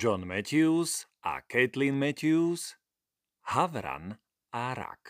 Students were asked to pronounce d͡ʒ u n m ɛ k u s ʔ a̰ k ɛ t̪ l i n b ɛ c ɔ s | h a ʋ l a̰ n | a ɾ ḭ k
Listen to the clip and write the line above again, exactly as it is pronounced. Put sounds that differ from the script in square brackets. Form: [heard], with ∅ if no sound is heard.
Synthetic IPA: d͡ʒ [ɔ] n m ɛ [c] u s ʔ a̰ k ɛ t̪ l i n [m] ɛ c [u] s | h a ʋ [ɾ] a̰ n | a ɾ [a̰] k